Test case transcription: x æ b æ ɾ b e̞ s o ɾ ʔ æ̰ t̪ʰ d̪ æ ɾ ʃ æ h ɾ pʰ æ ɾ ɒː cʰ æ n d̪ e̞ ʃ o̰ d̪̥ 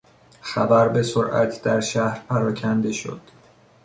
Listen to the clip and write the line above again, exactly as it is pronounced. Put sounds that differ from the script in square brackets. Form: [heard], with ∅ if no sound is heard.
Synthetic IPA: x æ b æ ɾ b e̞ s o ɾ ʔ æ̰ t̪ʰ d̪ æ ɾ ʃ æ h ɾ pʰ æ ɾ ɒː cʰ æ n d̪ e̞ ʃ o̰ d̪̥